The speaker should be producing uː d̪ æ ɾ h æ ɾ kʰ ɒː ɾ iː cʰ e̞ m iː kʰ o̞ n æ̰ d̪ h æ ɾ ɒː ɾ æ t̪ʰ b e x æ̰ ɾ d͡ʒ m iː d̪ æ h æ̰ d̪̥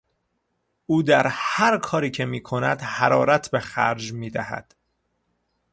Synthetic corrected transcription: uː d̪ æ ɾ h æ ɾ kʰ ɒː ɾ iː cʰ e̞ m iː kʰ o̞ n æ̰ d̪ h æ ɾ ɒː ɾ æ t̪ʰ b e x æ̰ ɾ d͡ʒ m iː d̪ æ h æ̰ d̪̥